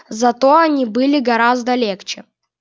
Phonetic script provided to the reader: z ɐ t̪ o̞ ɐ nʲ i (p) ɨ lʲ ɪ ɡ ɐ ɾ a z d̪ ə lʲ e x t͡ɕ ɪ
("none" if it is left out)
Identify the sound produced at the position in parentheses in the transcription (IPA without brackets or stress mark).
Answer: b